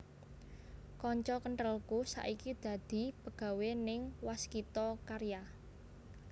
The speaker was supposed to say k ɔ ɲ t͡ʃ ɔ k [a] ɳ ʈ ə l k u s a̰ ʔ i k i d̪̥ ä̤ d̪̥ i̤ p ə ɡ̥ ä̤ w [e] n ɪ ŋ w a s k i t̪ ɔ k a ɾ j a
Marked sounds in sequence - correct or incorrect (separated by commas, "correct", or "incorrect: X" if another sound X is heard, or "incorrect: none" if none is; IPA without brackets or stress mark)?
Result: incorrect: ə, correct